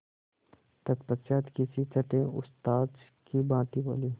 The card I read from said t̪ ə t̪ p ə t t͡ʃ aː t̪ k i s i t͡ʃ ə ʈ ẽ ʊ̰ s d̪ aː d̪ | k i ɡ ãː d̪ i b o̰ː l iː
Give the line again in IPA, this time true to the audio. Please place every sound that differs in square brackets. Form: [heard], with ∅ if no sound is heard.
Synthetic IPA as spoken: t̪ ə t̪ p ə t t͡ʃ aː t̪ k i s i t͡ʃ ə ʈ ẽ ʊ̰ s [t̪] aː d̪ | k i [b] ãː [t̪] i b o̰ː l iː